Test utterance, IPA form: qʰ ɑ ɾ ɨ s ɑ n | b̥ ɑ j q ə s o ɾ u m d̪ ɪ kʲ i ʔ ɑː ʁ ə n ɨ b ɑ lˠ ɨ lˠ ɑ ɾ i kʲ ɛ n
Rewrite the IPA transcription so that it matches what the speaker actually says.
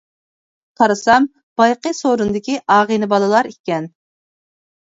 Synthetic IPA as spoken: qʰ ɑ ɾ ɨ s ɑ m | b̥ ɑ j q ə s o ɾ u n d̪ ɪ kʲ i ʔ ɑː ʁ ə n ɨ b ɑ lˠ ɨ lˠ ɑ ɾ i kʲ ɛ n